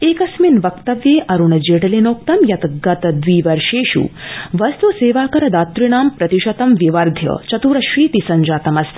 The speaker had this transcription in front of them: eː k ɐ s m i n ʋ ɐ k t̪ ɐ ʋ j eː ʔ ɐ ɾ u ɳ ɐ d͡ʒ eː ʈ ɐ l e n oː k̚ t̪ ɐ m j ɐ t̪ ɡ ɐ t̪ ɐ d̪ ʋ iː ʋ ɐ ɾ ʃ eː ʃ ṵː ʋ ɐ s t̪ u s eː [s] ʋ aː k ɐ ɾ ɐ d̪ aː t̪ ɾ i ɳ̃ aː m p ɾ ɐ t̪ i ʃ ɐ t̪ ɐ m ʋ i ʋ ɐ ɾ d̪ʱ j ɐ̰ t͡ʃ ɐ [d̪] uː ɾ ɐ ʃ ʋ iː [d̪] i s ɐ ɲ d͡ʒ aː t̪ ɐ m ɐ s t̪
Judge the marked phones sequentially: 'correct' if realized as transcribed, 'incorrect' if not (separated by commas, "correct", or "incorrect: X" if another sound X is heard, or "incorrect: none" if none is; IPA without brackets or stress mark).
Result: incorrect: none, incorrect: t̪, incorrect: t̪